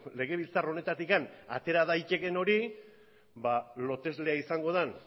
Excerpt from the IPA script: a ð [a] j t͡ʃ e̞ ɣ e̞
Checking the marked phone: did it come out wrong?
no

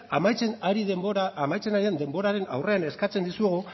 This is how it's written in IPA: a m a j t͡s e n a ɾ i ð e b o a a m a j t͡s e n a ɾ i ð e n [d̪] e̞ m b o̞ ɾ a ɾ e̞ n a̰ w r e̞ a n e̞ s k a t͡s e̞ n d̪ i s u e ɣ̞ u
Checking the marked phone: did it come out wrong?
no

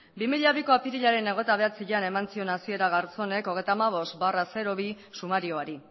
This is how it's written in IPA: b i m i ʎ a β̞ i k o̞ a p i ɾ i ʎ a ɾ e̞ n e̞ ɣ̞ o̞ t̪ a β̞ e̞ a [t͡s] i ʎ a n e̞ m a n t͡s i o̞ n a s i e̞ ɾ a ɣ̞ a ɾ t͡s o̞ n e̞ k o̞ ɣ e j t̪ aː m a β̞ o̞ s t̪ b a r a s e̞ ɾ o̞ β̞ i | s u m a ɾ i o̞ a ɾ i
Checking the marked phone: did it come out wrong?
no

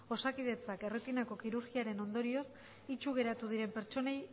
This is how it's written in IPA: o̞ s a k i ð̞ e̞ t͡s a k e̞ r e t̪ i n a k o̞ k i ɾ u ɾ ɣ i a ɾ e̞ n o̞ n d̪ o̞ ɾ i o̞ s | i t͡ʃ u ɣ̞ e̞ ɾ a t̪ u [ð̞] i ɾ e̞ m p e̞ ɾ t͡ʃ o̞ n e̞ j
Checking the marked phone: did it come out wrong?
no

